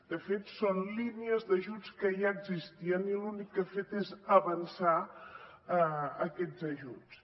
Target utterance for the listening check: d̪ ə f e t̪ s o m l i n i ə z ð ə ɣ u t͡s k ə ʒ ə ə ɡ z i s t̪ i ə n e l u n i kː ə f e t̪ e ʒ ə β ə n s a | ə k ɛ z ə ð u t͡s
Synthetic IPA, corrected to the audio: d̪ ə f e t̪ s o n l i n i ə z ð ə ʒ u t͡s k ə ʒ a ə ɡ z i s t̪ i ə n i l u n i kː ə f e t̪ e z ə β ə n s a | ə k ɛ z ə ʒ u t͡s